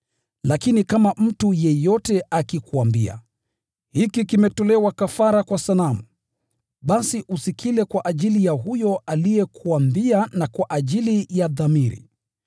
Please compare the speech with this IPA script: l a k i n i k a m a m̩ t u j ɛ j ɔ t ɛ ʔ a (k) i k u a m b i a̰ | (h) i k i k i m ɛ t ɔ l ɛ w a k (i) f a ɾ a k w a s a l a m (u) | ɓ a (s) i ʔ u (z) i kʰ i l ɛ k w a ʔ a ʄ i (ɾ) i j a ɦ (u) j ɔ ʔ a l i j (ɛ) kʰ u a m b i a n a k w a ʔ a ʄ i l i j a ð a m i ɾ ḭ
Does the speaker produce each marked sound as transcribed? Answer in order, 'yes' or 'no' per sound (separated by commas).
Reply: yes, yes, no, yes, yes, no, no, yes, yes